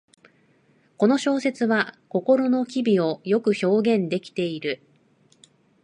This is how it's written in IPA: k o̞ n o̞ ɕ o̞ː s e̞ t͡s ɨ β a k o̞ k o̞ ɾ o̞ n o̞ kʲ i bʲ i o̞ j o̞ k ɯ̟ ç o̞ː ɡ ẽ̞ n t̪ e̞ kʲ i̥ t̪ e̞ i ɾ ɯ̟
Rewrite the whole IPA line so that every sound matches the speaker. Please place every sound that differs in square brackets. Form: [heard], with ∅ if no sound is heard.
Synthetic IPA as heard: k o̞ n o̞ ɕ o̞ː s e̞ t͡s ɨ β a k o̞ k o̞ ɾ o̞ n o̞ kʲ i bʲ i o̞ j o̞ k ɯ̟ ç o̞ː ɡ ẽ̞ n [d̪] e̞ kʲ i̥ t̪ e̞ i ɾ ɯ̟